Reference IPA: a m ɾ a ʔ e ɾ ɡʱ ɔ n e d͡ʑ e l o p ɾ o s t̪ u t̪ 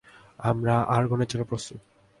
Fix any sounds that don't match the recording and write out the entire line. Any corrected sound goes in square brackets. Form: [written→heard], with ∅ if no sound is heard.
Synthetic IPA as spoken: a m ɾ a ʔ [e→a] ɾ ɡʱ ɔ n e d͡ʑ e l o p ɾ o s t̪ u t̪